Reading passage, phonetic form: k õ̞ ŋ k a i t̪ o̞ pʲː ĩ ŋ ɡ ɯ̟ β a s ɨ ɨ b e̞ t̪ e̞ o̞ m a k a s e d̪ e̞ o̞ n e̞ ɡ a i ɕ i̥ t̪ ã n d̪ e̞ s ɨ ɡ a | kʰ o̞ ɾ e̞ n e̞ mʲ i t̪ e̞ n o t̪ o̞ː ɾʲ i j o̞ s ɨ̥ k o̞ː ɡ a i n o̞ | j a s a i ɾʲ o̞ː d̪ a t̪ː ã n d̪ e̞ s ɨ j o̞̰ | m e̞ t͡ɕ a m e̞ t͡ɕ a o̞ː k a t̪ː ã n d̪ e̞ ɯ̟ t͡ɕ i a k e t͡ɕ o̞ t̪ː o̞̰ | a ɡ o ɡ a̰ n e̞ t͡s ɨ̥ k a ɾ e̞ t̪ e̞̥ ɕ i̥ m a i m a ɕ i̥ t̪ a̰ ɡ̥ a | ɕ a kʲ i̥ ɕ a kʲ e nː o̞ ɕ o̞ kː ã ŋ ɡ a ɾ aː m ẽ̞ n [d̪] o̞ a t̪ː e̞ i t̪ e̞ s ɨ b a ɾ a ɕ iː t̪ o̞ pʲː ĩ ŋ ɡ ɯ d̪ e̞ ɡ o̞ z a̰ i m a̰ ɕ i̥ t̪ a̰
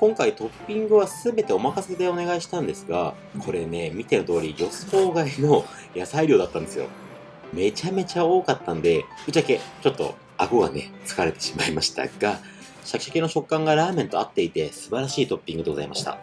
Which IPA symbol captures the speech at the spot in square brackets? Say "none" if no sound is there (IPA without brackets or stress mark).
t̪